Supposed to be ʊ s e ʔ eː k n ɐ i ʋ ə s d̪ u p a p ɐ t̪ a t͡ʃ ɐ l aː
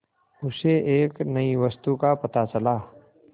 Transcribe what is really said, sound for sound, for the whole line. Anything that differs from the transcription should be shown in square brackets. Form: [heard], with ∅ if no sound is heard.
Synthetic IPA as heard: ʊ s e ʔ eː k n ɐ i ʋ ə s [t̪] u [k] a p ɐ t̪ a t͡ʃ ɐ l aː